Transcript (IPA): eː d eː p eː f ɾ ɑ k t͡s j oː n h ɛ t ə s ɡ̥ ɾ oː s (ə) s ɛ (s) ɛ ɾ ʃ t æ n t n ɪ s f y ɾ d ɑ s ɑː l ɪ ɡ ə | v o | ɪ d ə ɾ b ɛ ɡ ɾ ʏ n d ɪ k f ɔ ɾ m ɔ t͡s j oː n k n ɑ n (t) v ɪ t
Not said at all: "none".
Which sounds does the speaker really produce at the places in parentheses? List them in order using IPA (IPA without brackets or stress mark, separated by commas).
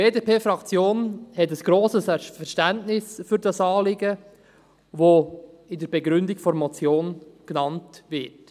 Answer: ə, f, t